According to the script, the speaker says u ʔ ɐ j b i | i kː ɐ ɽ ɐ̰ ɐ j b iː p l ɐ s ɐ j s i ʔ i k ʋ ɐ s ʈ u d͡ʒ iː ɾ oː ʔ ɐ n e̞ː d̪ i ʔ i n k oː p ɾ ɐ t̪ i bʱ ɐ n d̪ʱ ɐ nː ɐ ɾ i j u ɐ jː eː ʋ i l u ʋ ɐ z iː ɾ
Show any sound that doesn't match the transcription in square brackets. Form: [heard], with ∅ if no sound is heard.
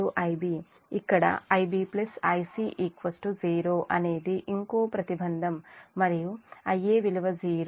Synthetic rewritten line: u ʔ ɐ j b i | i kː ɐ ɽ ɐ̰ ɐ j b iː p l ɐ s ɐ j s i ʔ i k ʋ ɐ s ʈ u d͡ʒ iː ɾ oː ʔ ɐ n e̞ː d̪ i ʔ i [ŋ] k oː p ɾ ɐ t̪ i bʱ ɐ n d̪ʱ ɐ [mː] ɐ ɾ i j u ɐ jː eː ʋ i l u ʋ ɐ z iː ɾ